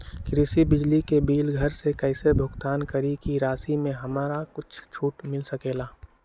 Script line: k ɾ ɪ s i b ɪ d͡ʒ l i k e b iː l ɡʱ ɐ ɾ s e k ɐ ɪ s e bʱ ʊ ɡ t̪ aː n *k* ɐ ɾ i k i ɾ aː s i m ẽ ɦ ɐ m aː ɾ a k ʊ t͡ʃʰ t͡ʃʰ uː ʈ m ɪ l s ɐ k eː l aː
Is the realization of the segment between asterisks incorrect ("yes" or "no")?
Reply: no